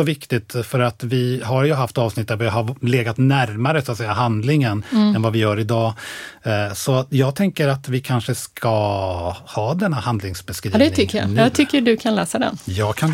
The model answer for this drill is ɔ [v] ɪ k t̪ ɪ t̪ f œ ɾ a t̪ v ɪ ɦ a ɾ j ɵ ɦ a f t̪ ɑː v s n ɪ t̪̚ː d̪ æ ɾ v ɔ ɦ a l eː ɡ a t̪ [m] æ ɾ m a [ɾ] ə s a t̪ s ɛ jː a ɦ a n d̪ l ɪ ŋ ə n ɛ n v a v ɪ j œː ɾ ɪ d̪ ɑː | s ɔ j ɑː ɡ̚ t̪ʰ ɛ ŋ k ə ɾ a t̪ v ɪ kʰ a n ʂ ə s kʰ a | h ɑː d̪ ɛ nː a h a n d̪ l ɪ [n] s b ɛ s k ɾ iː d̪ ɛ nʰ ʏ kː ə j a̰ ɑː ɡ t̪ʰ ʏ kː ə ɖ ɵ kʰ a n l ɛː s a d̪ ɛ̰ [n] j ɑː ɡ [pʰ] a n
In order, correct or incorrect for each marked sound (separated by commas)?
correct, incorrect, correct, incorrect, correct, incorrect